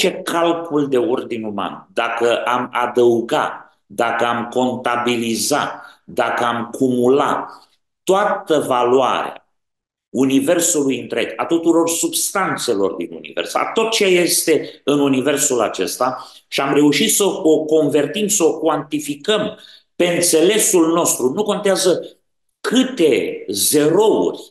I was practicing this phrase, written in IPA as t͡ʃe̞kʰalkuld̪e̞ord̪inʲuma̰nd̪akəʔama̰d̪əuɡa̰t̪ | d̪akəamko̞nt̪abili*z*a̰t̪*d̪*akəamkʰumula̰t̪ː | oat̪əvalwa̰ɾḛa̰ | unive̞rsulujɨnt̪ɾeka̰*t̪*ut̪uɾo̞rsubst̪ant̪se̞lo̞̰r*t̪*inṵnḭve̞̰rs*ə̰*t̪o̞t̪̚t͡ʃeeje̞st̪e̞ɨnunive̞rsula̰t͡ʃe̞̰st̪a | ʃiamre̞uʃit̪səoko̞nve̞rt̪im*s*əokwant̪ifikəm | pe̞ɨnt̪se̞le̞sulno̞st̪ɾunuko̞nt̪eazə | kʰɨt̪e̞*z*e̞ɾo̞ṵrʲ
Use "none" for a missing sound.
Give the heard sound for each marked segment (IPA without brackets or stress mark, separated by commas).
z, d̪, t̪, d̪, a̰, s, z